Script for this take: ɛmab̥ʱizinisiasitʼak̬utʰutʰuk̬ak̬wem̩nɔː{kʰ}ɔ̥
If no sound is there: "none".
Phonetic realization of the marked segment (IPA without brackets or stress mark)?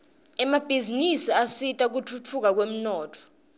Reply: tʰ